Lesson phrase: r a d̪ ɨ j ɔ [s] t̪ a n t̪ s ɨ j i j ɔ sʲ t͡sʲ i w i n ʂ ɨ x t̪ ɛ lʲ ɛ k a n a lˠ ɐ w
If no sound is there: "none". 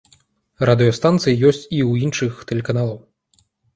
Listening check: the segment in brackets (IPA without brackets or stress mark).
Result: s